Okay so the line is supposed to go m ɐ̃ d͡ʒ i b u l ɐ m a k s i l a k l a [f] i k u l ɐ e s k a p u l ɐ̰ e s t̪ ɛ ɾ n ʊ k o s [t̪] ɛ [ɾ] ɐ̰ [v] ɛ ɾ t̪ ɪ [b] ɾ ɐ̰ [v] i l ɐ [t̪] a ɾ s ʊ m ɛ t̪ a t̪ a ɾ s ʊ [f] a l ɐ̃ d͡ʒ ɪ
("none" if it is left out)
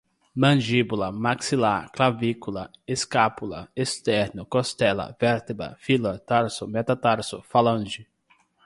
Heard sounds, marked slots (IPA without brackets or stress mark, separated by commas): v, t̪, l, v, b, f, t̪, f